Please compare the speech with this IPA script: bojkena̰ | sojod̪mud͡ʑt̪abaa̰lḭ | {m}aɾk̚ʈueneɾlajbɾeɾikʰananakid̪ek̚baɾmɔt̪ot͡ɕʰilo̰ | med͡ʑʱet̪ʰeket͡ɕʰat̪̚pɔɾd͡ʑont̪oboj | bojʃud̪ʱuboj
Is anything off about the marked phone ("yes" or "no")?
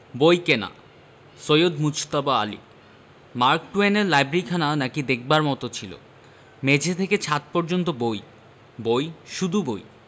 no